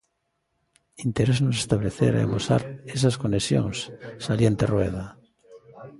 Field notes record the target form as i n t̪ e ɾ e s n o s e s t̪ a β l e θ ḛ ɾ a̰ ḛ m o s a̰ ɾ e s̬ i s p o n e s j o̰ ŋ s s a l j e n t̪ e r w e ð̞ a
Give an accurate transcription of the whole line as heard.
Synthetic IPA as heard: i n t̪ e ɾ e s n o s e s t̪ a β l e θ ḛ ɾ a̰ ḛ m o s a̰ ɾ e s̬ a s k o n e s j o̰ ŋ s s a l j e n t̪ e r w e ð̞ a

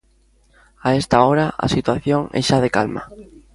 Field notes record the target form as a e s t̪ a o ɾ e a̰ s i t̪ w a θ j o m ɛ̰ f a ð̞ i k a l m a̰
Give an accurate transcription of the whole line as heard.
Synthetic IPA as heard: a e s t̪ a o ɾ a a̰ s i t̪ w a θ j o ŋ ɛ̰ ʃ a ð̞ e k a l m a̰

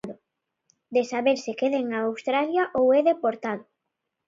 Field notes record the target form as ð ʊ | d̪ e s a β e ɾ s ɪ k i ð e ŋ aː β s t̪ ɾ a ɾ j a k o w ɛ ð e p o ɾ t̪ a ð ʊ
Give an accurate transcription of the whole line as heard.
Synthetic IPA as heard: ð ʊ | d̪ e s a β e ɾ s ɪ k e ð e ŋ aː w s t̪ ɾ a l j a ʔ o w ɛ ð e p o ɾ t̪ a ð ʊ

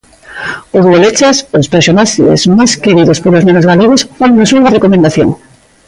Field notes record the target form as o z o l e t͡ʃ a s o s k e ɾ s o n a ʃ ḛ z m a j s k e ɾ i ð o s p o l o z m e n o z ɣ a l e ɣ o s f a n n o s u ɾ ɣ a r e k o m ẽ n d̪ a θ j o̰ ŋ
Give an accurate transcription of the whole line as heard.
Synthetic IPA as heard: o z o l e t͡ʃ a s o s p e ɾ s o n a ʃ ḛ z m a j s k e ɾ i ð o s p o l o z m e n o z ɣ a l e ɣ o s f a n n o s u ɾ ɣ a r e k o m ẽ n d̪ a θ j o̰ ŋ

